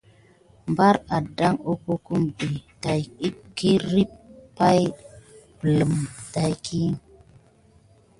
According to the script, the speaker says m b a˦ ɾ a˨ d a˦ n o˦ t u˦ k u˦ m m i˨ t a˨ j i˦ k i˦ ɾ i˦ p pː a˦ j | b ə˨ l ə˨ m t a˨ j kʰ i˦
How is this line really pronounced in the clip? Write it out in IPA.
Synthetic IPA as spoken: m b a˦ ɾ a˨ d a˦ ŋ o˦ k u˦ k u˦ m b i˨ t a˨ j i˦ k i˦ ɾ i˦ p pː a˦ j | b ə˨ l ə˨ m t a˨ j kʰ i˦